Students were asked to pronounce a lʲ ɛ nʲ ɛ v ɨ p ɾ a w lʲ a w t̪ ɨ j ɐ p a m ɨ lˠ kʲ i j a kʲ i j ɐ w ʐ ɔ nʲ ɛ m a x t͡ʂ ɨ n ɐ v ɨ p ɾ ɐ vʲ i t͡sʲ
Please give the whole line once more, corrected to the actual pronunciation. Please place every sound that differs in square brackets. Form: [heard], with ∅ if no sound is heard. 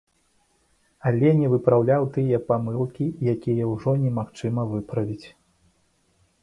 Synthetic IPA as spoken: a lʲ ɛ nʲ ɛ v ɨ p ɾ a w lʲ a w t̪ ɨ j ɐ p a m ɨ lˠ kʲ i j a kʲ i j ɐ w ʐ ɔ nʲ ɛ m a x t͡ʂ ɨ [m] ɐ v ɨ p ɾ ɐ vʲ i t͡sʲ